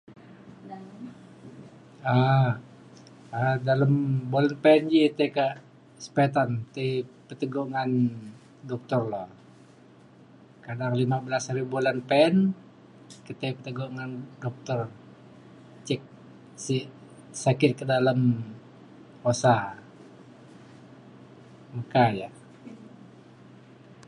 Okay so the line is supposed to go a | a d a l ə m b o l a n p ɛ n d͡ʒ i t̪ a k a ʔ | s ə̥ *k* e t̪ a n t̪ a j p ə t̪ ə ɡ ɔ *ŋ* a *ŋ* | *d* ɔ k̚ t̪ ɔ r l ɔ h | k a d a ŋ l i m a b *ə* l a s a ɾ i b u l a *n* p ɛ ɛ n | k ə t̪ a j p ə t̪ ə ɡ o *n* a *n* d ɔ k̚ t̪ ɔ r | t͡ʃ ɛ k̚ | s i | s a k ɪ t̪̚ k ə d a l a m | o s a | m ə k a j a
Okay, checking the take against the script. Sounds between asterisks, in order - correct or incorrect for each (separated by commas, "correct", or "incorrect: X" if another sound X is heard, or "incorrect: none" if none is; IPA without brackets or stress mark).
incorrect: p, correct, incorrect: n, correct, correct, correct, incorrect: ŋ, correct